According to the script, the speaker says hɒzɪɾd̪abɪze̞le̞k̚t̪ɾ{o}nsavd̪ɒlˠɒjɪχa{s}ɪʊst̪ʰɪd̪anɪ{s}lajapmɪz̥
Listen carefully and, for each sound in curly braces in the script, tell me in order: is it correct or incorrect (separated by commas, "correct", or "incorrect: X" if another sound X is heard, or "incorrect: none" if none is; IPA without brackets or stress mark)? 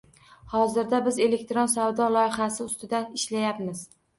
correct, correct, incorrect: ʃ